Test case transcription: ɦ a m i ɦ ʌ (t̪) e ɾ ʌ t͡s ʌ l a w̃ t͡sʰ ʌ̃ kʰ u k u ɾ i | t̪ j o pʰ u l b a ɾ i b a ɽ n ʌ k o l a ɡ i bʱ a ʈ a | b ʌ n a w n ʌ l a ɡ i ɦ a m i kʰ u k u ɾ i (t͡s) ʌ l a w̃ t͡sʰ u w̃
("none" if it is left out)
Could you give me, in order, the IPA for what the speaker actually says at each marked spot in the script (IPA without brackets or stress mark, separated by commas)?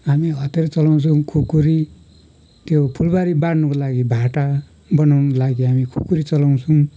t̪, t͡s